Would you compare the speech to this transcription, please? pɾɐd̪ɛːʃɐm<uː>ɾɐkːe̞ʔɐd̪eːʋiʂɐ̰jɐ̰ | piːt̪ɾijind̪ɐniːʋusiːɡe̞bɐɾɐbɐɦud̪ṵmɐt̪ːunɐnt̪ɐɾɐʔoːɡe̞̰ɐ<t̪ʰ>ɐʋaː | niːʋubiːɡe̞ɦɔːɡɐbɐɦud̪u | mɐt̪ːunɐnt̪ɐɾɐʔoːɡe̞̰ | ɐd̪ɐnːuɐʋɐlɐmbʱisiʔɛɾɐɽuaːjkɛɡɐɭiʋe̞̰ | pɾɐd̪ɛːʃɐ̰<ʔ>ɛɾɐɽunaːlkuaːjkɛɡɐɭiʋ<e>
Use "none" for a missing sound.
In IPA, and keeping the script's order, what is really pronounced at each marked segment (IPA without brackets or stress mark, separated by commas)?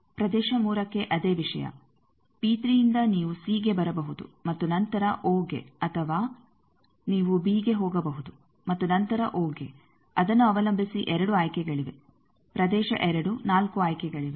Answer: uː, t̪ʰ, ʔ, e